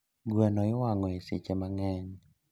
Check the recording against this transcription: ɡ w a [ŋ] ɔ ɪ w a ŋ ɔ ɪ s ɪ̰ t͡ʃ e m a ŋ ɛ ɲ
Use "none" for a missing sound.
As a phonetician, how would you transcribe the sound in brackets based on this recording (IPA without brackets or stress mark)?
n